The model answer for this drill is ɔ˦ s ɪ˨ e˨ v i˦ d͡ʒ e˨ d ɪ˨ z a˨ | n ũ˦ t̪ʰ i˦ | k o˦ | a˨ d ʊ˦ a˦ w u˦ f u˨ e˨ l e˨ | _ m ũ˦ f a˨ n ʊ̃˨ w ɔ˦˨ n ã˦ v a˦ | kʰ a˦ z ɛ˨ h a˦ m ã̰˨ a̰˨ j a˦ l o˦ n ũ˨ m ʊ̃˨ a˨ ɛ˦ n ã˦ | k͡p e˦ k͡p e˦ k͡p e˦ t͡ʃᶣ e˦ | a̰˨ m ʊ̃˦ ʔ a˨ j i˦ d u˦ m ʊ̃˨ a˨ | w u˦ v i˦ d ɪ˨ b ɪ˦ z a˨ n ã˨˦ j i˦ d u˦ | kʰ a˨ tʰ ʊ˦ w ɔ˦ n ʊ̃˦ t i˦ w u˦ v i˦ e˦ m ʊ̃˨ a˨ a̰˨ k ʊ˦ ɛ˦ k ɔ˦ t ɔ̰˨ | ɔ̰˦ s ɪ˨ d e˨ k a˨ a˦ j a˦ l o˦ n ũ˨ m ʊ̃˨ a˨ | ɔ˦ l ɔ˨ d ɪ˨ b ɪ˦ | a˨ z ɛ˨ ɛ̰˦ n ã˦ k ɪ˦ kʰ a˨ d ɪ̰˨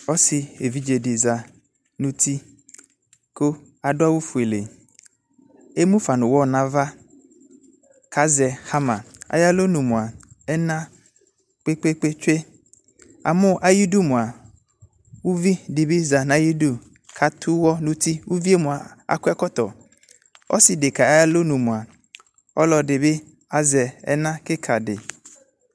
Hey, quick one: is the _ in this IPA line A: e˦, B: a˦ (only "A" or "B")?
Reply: A